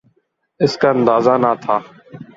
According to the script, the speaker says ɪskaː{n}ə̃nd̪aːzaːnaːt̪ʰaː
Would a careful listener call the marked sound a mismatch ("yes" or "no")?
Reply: yes